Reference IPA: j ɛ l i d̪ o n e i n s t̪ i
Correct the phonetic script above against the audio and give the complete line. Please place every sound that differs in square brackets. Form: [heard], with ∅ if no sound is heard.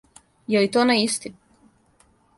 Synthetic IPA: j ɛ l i [t̪] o n [a] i [∅] s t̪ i